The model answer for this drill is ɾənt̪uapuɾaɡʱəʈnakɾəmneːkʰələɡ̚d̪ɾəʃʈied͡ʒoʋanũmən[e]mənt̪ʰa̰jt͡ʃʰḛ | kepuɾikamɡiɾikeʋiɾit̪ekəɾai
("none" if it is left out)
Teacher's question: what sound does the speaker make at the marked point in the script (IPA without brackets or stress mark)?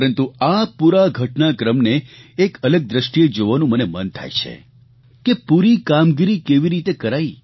e